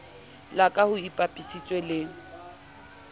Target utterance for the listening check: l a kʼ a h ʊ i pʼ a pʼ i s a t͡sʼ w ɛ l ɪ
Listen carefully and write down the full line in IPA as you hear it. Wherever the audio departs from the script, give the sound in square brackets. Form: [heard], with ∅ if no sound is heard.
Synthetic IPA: l a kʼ a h ʊ i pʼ a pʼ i s [i] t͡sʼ w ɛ l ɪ